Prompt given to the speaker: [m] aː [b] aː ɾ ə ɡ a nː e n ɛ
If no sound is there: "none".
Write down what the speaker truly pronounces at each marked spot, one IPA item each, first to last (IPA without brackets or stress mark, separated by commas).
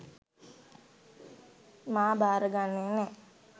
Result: m, b